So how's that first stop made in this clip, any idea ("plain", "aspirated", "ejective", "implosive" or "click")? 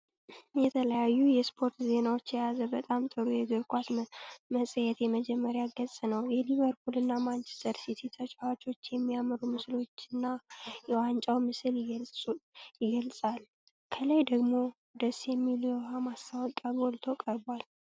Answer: aspirated